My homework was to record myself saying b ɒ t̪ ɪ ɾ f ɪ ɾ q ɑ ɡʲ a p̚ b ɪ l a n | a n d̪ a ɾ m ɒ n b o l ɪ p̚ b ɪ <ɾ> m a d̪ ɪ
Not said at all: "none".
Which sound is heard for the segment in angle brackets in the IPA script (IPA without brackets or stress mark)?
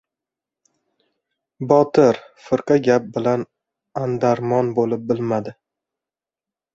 l